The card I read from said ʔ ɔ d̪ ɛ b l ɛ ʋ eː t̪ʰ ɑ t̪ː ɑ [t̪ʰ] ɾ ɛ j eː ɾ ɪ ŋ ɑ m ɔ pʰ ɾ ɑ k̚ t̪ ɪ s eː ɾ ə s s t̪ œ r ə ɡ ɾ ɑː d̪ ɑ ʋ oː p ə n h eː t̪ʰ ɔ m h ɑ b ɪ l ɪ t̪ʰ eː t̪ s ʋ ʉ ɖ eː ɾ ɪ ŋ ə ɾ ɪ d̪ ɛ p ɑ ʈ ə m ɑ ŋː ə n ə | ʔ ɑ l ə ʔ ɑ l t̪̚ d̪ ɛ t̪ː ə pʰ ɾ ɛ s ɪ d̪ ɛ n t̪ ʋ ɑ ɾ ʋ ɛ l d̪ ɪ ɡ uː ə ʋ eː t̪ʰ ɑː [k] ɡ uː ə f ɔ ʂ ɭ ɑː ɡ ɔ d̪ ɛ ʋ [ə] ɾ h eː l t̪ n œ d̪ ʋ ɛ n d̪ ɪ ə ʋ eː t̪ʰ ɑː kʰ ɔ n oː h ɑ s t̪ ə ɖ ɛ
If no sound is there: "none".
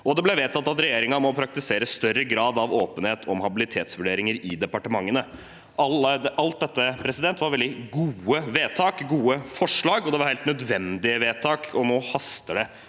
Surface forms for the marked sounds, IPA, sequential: t̪, k, ɑ

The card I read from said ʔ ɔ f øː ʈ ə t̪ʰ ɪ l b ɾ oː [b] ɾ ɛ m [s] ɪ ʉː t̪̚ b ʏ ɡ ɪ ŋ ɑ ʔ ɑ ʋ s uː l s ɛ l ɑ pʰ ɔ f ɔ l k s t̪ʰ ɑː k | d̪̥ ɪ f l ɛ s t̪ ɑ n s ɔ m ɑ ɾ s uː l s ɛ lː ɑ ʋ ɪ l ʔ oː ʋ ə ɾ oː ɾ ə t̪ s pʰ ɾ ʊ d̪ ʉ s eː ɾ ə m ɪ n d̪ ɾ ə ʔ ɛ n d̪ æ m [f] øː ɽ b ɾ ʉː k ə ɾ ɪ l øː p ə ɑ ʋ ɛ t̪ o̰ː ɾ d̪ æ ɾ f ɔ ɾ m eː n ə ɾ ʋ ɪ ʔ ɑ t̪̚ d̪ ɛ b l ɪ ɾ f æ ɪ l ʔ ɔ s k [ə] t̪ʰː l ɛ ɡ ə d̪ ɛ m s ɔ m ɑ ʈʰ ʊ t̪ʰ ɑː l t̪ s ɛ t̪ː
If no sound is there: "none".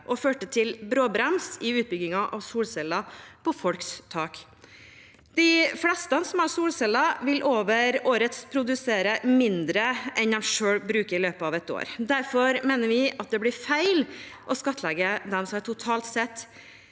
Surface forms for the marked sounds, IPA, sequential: b, s, ʂ, ɑ

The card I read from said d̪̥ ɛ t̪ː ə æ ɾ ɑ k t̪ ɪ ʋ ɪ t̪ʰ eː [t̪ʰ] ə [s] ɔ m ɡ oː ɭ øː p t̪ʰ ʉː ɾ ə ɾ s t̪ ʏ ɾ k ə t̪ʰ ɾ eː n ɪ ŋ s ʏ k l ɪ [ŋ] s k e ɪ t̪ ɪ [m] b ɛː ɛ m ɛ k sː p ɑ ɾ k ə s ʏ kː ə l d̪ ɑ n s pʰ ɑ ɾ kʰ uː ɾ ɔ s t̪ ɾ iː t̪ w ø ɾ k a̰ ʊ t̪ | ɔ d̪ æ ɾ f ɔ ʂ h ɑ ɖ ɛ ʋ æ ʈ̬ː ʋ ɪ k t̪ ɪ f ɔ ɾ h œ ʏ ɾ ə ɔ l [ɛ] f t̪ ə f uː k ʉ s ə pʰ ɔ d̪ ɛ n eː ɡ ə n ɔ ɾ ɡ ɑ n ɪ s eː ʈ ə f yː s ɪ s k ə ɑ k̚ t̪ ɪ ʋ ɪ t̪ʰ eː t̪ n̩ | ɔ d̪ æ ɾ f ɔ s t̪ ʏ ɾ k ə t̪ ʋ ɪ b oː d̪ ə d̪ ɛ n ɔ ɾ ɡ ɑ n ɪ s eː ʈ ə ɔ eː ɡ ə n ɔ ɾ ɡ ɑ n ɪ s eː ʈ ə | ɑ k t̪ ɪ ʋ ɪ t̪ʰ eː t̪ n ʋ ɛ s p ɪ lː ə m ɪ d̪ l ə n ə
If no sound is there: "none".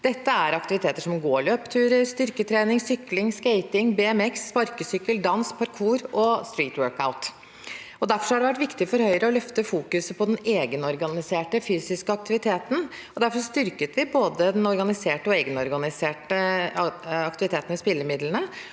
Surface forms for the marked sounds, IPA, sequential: t̪, ʂ, ŋ, ŋ, œ

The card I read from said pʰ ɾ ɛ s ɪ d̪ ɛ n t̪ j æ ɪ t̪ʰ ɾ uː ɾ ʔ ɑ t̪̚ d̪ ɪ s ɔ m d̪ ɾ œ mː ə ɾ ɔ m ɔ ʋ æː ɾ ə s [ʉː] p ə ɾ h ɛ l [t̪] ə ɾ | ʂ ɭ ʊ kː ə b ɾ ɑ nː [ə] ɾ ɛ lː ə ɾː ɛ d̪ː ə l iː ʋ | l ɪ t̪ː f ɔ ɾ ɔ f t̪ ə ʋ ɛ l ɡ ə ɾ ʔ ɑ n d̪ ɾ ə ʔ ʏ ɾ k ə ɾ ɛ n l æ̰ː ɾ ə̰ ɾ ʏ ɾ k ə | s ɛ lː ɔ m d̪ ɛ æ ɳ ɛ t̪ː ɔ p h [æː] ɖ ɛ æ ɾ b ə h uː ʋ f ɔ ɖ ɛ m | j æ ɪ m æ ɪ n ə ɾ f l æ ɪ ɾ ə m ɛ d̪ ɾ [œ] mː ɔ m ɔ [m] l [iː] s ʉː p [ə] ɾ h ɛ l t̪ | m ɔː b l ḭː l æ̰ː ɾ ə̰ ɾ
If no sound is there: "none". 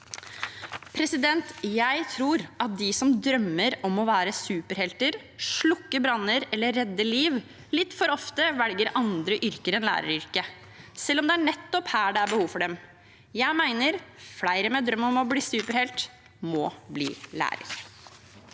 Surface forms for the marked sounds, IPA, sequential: ʉː, t̪, ə, æː, œ, b, iː, ə

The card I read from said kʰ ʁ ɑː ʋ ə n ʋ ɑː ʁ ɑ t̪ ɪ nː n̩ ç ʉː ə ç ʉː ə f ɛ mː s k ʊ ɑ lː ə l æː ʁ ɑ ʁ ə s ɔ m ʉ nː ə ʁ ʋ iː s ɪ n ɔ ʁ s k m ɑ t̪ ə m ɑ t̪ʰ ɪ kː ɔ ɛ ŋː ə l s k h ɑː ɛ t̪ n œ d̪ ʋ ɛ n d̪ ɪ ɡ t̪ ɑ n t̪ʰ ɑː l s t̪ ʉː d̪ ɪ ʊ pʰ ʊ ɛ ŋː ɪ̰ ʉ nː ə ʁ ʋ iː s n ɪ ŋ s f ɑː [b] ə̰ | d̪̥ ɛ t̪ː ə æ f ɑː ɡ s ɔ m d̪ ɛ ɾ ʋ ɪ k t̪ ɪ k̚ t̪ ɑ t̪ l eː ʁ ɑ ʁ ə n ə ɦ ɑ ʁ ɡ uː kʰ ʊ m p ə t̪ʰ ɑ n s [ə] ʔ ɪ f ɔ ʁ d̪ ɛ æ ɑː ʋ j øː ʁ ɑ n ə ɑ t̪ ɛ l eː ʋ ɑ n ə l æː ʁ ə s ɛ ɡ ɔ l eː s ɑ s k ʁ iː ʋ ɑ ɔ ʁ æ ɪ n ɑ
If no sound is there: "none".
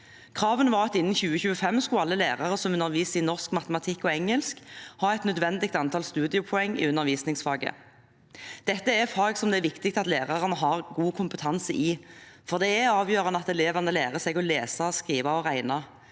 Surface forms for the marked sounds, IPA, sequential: ɡ, ə

